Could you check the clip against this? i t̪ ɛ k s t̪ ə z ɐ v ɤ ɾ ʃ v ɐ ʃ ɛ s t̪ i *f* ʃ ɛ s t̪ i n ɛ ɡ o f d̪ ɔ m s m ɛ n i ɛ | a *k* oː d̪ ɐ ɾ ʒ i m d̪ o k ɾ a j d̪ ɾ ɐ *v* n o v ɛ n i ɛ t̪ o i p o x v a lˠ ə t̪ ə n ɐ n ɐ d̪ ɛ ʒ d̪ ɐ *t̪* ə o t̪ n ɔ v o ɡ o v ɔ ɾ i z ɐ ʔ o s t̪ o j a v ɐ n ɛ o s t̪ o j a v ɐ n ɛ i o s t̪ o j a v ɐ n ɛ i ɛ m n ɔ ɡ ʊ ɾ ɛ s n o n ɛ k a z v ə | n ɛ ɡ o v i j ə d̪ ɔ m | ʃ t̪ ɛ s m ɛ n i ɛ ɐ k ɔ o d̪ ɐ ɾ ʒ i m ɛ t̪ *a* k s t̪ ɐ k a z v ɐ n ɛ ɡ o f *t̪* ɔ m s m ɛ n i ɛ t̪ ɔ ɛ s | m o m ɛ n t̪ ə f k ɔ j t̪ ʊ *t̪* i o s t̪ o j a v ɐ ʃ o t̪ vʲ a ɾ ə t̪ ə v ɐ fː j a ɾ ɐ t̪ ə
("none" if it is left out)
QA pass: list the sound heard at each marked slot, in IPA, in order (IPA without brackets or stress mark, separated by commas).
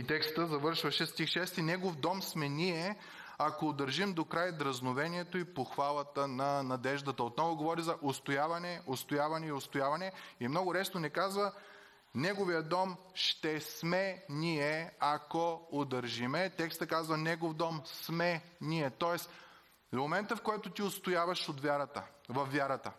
x, k, z, t̪, ɛ, d̪, t̪